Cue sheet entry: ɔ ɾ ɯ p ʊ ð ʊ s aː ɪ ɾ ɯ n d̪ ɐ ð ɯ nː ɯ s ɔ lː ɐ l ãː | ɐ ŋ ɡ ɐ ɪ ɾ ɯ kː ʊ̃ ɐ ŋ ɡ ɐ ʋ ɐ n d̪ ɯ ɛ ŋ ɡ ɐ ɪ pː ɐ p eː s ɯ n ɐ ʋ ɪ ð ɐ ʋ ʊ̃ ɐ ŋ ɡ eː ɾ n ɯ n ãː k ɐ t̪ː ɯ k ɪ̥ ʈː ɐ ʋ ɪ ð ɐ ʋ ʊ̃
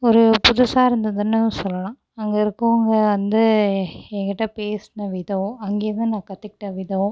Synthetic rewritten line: ɔ ɾ ɯ p ʊ ð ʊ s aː ɪ ɾ ɯ n d̪ ɐ ð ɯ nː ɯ s ɔ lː ɐ l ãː | ɐ ŋ ɡ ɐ ɪ ɾ ɯ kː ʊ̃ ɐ ŋ ɡ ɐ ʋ ɐ n d̪ ɯ ɛ ŋ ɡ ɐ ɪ ʈː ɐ p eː s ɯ n ɐ ʋ ɪ ð ɐ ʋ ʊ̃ ɐ ŋ ɡ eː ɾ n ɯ n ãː k ɐ t̪ː ɯ k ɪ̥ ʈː ɐ ʋ ɪ ð ɐ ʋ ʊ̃